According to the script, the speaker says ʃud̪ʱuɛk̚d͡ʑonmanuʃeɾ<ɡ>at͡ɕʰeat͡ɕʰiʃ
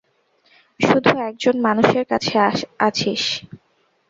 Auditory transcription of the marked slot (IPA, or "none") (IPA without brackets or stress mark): k